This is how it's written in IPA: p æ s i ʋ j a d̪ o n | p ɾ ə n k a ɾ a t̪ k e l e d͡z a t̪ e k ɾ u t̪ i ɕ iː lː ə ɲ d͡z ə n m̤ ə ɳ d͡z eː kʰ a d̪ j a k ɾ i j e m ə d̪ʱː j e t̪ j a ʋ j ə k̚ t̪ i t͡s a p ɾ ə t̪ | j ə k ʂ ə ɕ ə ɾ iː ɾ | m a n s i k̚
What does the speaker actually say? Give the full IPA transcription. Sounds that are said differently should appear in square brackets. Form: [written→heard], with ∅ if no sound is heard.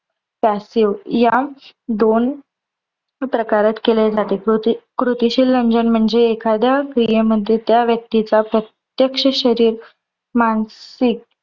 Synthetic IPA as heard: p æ s i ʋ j a d̪ o n | p ɾ ə [n→∅] k a ɾ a t̪ k e l e d͡z a t̪ e k ɾ u t̪ i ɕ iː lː ə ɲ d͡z ə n m̤ ə ɳ d͡z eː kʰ a d̪ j a k ɾ i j e m ə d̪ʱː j e t̪ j a ʋ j ə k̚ t̪ i t͡s a p ɾ ə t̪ | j ə k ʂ ə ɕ ə ɾ iː ɾ | m a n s i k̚

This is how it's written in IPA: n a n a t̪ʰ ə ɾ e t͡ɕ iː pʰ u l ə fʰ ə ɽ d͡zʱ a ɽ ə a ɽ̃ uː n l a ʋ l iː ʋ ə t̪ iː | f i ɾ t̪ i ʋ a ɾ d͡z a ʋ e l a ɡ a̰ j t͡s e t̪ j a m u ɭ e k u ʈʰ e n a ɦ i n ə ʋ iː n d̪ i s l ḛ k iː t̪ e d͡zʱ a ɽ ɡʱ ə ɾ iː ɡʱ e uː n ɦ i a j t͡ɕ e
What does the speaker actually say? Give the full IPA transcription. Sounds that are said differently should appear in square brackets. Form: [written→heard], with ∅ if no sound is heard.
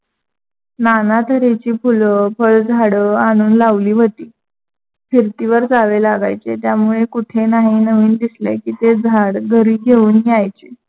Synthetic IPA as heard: n a n a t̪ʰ ə ɾ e t͡ɕ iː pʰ u l ə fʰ ə [ɽ→ɭ] d͡zʱ a ɽ ə a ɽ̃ uː n l a ʋ l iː ʋ ə t̪ iː | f i ɾ t̪ i ʋ [a→ə] ɾ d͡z a ʋ e l a ɡ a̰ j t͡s e t̪ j a m u ɭ e k u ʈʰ e n a ɦ i n ə ʋ iː n d̪ i s l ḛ k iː t̪ e d͡zʱ a ɽ ɡʱ ə ɾ iː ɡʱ e uː n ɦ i a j t͡ɕ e

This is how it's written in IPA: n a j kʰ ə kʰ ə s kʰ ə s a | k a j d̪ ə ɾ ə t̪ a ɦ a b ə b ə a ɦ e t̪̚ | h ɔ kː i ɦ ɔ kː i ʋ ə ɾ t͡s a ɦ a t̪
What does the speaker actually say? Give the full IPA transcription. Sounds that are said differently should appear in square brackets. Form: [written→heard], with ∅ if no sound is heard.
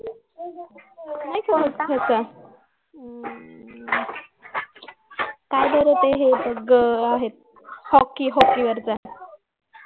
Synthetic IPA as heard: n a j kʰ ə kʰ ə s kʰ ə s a | k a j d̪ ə ɾ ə t̪ [a→e] ɦ [a→e] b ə [b→ɡ] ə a ɦ e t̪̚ | h ɔ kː i ɦ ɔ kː i ʋ ə ɾ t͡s a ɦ [a→e] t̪

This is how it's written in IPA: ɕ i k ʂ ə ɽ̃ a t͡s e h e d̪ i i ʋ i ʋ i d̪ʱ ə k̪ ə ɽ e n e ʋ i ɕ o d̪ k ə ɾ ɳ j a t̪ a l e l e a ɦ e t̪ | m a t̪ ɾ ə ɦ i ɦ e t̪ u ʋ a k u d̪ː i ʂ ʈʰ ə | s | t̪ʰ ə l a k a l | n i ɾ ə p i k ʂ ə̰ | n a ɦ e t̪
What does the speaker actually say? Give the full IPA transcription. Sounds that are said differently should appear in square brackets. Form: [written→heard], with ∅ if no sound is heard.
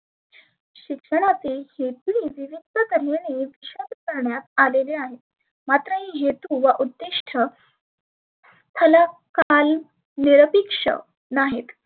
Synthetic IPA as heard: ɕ i k ʂ ə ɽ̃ a t͡s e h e [d̪→t̪] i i ʋ i ʋ i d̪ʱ ə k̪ ə [ɽ→ɾ] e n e ʋ i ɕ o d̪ k ə ɾ ɳ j a t̪ a l e l e a ɦ e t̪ | m a t̪ ɾ ə ɦ i ɦ e t̪ u ʋ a [k→ʔ] u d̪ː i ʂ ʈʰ ə | s | t̪ʰ ə l a k a l | n i ɾ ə p i k ʂ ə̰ | n a ɦ e t̪

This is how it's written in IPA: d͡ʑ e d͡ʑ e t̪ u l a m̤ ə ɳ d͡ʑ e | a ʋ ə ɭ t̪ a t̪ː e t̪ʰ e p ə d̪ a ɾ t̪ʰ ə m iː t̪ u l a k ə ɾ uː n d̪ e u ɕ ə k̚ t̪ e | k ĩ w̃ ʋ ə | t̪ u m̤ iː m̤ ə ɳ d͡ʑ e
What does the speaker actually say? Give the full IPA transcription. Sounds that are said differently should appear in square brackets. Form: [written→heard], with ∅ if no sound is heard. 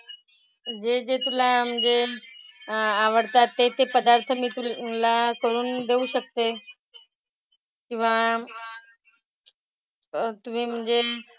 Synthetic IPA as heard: d͡ʑ e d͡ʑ e t̪ u l a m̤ ə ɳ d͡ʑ e | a ʋ ə [ɭ→ɽ] t̪ a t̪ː e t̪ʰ e p ə d̪ a ɾ t̪ʰ ə m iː t̪ u l a k ə ɾ uː n d̪ e u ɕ ə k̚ t̪ e | k ĩ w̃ ʋ [ə→a] | t̪ u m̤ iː m̤ ə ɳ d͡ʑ e

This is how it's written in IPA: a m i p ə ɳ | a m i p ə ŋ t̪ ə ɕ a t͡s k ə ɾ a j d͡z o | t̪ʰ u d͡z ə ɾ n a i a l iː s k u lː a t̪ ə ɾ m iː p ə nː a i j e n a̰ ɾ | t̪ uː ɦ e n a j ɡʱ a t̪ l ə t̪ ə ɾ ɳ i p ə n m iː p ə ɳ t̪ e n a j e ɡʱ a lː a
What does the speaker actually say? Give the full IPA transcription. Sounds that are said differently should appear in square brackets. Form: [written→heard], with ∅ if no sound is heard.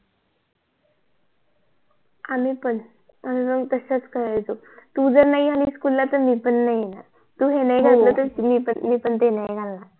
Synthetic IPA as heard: a m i p ə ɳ | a m i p ə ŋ t̪ ə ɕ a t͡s k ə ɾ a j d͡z o | [t̪ʰ→t̪] u d͡z ə ɾ n a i a l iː s k u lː a t̪ ə ɾ m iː p ə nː a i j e n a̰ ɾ | t̪ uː ɦ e n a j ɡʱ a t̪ l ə t̪ ə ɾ [ɳ→m] i p ə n m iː p ə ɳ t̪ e n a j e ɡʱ a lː a

